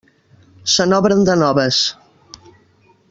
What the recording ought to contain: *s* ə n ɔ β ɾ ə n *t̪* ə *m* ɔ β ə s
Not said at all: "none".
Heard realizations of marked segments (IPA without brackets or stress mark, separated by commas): s, d̪, n